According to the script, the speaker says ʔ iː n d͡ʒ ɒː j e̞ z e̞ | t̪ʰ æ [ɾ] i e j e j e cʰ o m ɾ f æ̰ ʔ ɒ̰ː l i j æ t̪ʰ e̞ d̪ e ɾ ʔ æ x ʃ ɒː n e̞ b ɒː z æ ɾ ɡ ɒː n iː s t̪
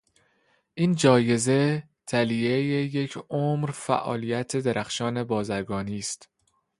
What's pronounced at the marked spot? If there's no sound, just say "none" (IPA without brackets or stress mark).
l